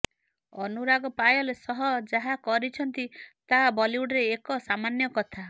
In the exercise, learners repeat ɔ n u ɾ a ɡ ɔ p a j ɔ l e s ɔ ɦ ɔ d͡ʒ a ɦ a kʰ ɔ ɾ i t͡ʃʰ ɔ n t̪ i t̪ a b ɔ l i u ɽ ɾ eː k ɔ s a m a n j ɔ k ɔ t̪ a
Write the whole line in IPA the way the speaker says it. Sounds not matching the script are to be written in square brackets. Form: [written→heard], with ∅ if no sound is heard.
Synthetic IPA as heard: ɔ n u ɾ a ɡ ɔ p a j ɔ l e s ɔ ɦ ɔ d͡ʒ a ɦ a [kʰ→k] ɔ ɾ i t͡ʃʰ ɔ n t̪ i t̪ a b ɔ l i u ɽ ɾ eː k ɔ s a m a n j ɔ k ɔ [t̪→t̪ʰ] a